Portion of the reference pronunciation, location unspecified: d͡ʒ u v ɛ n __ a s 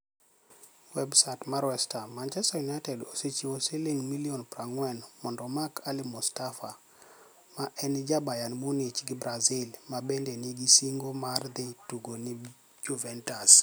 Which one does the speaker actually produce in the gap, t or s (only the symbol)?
t